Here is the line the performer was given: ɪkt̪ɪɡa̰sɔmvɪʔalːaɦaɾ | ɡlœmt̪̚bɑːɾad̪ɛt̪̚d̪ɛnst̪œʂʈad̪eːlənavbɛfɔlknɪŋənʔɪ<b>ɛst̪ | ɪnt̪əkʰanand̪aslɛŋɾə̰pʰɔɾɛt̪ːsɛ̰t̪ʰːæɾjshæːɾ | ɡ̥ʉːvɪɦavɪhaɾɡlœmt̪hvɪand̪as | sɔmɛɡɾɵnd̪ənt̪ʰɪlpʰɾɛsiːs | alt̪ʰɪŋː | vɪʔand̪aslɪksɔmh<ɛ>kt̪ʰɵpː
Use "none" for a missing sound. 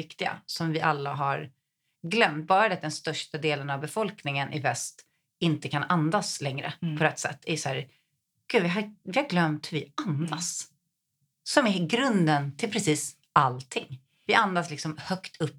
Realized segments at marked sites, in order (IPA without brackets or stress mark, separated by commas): v, œ